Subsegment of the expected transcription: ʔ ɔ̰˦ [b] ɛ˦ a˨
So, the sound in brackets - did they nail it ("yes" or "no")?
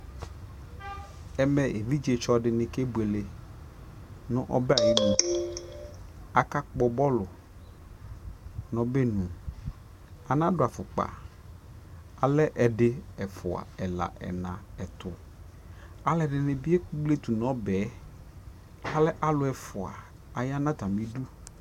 yes